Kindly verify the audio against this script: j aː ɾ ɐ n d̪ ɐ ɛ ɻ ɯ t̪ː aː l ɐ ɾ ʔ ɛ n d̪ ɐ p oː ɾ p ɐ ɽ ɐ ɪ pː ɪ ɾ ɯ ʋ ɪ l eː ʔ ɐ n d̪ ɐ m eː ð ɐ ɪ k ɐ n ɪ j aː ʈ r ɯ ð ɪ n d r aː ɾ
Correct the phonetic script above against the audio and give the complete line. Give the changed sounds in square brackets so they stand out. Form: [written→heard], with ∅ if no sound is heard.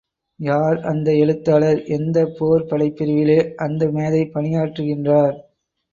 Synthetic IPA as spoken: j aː ɾ ɐ n d̪ ɐ ɛ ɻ ɯ t̪ː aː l ɐ ɾ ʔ ɛ n d̪ ɐ p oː ɾ p ɐ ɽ ɐ ɪ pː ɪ ɾ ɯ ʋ ɪ l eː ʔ ɐ n d̪ ɐ m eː ð ɐ ɪ [k→p] ɐ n ɪ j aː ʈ r ɯ [ð→ɣ] ɪ n d r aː ɾ